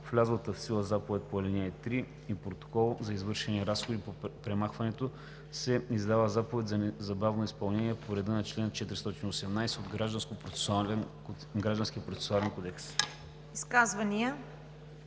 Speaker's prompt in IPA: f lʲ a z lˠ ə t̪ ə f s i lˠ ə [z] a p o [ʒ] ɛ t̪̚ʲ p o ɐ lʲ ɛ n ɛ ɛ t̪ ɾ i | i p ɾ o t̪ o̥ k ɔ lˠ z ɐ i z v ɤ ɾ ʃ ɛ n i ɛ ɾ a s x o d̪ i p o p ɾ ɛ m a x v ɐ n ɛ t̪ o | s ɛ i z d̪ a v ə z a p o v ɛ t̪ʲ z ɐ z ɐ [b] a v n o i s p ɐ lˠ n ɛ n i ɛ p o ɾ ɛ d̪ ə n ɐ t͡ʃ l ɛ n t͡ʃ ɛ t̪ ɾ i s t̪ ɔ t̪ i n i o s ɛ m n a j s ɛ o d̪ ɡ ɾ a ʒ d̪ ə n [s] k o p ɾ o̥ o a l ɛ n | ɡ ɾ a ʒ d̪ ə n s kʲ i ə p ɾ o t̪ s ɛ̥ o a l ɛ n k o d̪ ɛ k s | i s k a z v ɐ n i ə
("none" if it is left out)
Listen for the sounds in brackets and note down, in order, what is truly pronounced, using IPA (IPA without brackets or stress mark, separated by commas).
z, v, b, s